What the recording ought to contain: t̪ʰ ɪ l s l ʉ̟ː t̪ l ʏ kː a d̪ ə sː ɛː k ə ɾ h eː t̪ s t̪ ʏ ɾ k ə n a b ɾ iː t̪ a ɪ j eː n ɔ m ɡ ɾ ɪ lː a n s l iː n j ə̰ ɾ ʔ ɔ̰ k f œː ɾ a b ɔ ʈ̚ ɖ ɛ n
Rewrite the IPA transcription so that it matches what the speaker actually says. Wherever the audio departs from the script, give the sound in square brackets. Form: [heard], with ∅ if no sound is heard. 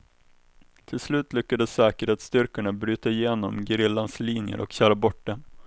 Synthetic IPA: t̪ʰ ɪ l s l ʉ̟ː t̪ l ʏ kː a d̪ ə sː ɛː k ə ɾ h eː t̪ s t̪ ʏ ɾ k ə [ɳ] a b ɾ [yː] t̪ a ɪ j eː n ɔ m ɡ ɾ ɪ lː a n s l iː n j ə̰ ɾ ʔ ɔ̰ k [ɕ] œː ɾ a b ɔ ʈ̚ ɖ ɛ n